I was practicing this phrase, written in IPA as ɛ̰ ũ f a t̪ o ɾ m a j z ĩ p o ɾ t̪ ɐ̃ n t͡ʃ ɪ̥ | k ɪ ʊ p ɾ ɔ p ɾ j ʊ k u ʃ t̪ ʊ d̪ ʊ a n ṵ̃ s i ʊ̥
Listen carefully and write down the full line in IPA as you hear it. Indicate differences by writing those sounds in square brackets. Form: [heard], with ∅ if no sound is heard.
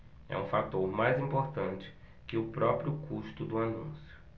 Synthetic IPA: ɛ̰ ũ f a t̪ o ɾ m a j z ĩ p o ɾ t̪ ɐ̃ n t͡ʃ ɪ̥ | k ɪ ʊ p ɾ ɔ p ɾ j ʊ k u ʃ t̪ ʊ d̪ ʊ a n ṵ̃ s [j] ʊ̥